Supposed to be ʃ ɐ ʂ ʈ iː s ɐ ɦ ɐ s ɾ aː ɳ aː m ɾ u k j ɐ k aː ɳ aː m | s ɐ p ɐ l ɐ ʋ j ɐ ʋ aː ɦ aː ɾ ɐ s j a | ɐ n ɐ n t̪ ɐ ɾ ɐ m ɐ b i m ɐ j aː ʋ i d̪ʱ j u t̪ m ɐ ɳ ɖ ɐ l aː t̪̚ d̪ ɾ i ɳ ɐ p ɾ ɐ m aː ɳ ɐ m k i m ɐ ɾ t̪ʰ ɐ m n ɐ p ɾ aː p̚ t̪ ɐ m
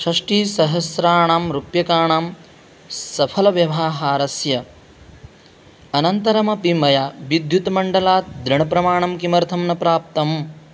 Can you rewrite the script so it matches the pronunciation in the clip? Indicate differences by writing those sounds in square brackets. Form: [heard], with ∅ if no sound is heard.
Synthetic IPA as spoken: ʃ ɐ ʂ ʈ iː s ɐ ɦ ɐ s ɾ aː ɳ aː m ɾ u [p] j ɐ k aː ɳ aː m | s ɐ [pʰ] ɐ l ɐ ʋ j ɐ ʋ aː ɦ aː ɾ ɐ s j [ɐ] | ɐ n ɐ n t̪ ɐ ɾ ɐ m ɐ [p] i m ɐ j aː ʋ i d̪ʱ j u t̪ m ɐ ɳ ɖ ɐ l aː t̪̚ d̪ ɾ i ɳ ɐ p ɾ ɐ m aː ɳ ɐ m k i m ɐ ɾ t̪ʰ ɐ m n ɐ p ɾ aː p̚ t̪ ɐ m